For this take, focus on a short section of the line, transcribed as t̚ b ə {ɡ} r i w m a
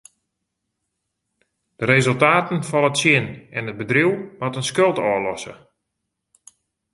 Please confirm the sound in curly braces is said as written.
no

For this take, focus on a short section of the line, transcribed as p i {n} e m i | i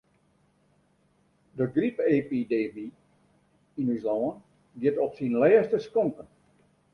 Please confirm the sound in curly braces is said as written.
no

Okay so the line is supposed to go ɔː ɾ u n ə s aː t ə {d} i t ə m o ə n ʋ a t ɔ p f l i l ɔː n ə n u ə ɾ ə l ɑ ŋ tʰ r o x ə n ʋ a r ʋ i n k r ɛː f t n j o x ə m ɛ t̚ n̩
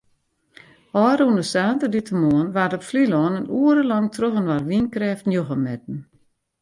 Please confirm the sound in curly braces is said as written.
yes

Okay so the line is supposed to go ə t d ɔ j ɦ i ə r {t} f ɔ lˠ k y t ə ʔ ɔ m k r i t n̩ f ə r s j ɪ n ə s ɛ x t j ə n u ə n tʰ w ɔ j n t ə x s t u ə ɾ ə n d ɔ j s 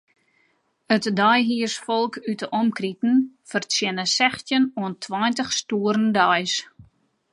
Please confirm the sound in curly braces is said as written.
no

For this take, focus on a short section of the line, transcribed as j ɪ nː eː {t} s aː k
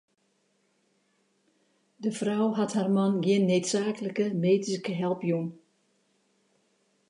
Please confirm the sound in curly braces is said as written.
yes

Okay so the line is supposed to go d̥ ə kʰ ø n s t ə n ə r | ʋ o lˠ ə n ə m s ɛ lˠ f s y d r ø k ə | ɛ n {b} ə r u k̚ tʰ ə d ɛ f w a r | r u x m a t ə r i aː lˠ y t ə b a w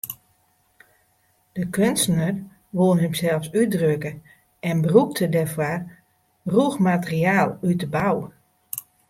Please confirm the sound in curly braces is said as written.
yes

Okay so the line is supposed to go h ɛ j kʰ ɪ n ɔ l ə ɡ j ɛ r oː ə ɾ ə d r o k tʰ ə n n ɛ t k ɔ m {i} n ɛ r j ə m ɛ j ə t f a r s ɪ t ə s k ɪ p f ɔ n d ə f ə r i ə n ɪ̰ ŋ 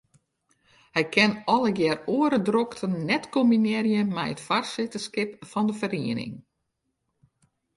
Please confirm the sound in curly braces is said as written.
yes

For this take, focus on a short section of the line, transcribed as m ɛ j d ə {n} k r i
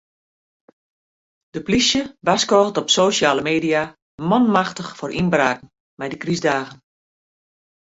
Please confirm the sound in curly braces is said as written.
no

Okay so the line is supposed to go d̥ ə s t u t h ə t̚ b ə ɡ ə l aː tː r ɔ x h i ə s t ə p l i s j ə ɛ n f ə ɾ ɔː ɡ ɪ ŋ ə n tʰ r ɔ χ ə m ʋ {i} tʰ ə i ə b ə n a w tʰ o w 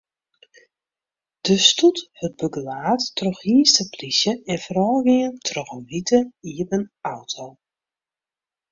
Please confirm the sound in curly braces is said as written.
yes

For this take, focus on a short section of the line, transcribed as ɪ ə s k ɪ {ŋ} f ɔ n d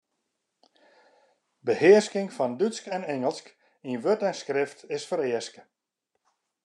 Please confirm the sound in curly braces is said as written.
yes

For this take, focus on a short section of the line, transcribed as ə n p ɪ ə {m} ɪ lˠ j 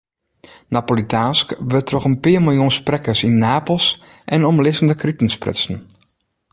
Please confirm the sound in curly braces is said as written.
yes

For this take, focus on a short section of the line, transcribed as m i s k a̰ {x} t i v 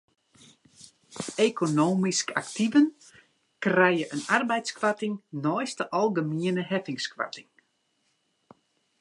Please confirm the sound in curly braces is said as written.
no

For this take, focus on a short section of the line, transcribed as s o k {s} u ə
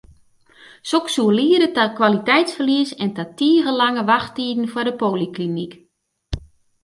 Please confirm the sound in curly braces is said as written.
yes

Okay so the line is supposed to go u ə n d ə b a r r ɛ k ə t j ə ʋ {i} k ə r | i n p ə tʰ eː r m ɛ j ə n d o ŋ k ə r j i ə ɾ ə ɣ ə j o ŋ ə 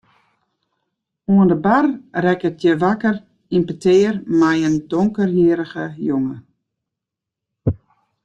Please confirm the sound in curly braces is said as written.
no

